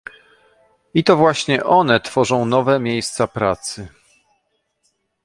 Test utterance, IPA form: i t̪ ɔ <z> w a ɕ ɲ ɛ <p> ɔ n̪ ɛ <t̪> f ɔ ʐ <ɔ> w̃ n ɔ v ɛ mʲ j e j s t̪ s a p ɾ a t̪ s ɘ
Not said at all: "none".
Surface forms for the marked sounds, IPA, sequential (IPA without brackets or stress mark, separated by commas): v, ʔ, t̪, ɔ̃